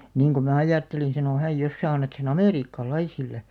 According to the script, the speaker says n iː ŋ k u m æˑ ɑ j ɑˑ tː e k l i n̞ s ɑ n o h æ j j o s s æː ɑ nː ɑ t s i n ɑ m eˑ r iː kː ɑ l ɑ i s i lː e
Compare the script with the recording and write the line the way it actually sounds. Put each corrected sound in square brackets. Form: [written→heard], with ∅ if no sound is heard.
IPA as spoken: n iː ŋ k u m æˑ ɑ j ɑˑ tː e [k→∅] l i n̞ s ɑ n o h æ j j o s s æː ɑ nː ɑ t s [i→e] n ɑ m eˑ r iː kː ɑ l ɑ i s i lː e